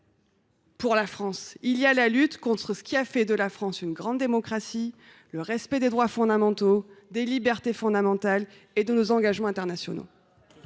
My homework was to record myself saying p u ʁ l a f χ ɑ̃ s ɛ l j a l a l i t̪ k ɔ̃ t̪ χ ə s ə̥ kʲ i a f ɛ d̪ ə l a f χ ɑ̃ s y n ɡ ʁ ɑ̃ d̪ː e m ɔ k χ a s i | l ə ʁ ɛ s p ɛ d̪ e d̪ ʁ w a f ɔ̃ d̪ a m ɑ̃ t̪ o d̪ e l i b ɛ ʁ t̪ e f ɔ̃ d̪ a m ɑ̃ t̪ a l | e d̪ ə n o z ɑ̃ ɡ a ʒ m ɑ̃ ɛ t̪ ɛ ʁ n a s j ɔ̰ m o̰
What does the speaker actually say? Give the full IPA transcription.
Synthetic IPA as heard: p u ʁ l a f χ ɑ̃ s i l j a l a l y t̪ k ɔ̃ t̪ χ ə s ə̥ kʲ i a f ɛ d̪ ə l a f χ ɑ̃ s y n ɡ ʁ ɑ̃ d̪ː e m ɔ k χ a s i | l ə ʁ ɛ s p ɛ d̪ e d̪ ʁ w a f ɔ̃ d̪ a m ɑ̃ t̪ o d̪ e l i b ɛ ʁ t̪ e f ɔ̃ d̪ a m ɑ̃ t̪ a l | e d̪ ə n o z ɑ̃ ɡ a ʒ m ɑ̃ ɛ̃ t̪ ɛ ʁ n a s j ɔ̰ n o̰